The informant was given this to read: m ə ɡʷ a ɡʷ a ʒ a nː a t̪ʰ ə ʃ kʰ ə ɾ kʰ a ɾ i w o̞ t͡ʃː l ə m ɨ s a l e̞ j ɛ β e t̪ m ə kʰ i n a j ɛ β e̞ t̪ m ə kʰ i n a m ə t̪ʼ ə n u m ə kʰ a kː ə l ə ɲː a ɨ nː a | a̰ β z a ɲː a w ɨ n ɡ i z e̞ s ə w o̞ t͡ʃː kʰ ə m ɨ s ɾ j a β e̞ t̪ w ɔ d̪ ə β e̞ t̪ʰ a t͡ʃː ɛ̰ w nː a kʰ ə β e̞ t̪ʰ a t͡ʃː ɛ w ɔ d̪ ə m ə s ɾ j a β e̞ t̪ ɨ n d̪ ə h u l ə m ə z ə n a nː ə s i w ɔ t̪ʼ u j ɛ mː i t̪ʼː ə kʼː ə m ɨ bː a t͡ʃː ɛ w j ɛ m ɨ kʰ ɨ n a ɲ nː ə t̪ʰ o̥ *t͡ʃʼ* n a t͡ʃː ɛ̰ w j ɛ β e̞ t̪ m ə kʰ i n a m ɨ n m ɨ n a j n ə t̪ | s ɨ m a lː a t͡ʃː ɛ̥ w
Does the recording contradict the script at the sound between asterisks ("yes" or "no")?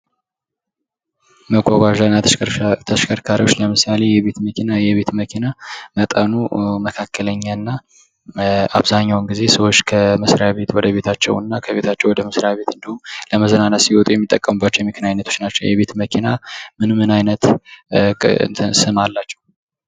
yes